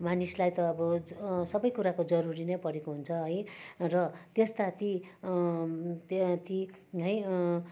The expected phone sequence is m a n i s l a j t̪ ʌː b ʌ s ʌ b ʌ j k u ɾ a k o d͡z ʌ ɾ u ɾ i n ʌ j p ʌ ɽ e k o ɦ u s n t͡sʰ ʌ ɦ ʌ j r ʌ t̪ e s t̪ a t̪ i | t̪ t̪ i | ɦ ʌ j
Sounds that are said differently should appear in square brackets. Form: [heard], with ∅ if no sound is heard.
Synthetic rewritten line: m a n i s l a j t̪ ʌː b ʌ s ʌ b ʌ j k u ɾ a k o d͡z ʌ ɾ u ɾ i n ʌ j p ʌ [ɾ] e k o ɦ u [∅] n t͡sʰ ʌ ɦ ʌ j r ʌ t̪ e s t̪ a t̪ i | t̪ t̪ i | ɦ ʌ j